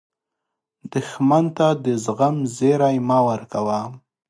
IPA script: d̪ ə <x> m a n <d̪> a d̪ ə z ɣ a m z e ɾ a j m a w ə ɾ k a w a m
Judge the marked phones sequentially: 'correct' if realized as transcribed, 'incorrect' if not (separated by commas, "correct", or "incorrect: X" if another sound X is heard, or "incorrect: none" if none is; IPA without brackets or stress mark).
correct, incorrect: t̪